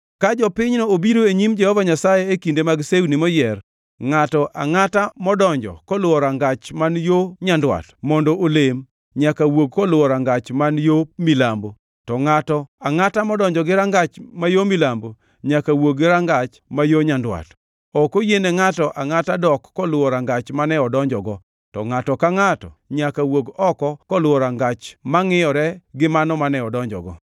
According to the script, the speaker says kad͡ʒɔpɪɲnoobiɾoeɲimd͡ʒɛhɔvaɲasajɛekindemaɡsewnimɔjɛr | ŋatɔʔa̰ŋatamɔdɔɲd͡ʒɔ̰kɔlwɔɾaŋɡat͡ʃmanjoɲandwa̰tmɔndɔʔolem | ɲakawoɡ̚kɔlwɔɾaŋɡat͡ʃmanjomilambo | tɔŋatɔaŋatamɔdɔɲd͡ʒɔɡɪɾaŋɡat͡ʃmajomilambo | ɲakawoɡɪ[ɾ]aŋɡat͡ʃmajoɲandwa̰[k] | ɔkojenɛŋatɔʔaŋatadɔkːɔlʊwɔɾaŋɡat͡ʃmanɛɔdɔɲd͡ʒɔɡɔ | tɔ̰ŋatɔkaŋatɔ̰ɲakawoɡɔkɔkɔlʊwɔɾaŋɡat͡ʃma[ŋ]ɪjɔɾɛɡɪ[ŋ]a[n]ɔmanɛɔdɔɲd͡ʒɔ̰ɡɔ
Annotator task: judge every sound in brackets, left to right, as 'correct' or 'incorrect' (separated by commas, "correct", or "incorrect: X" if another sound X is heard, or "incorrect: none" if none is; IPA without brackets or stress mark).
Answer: correct, incorrect: t, correct, incorrect: m, correct